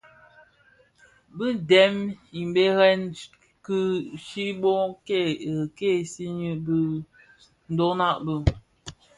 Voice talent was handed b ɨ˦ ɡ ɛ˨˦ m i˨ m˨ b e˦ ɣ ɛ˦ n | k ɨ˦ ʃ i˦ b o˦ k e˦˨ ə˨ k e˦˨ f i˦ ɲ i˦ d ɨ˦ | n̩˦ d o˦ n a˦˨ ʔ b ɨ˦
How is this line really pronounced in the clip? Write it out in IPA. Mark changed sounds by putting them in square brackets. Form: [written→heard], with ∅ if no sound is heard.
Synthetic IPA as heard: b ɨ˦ [ɡ→d] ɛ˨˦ m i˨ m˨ b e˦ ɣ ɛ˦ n | k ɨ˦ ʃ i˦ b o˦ k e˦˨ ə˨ k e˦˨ [f→s] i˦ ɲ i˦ [d→b] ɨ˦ | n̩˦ d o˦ n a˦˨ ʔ b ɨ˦